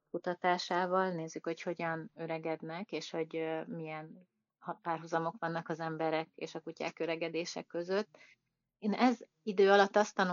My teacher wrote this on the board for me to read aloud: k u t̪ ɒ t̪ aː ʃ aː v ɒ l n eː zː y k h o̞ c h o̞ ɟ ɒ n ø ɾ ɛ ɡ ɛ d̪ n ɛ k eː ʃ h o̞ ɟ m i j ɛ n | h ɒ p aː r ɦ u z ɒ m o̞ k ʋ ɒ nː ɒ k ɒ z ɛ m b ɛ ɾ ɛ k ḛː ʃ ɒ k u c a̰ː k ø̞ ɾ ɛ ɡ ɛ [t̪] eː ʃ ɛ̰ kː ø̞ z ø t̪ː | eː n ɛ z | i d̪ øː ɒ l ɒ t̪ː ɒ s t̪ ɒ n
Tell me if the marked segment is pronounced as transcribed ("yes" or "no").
no